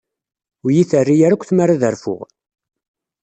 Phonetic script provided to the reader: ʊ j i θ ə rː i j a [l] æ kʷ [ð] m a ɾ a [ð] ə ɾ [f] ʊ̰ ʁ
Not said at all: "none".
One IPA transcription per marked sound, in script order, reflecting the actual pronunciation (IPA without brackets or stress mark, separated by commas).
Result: ɾ, θ, ð, f